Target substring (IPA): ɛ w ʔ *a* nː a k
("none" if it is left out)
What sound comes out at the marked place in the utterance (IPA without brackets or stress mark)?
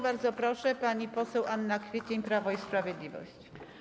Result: a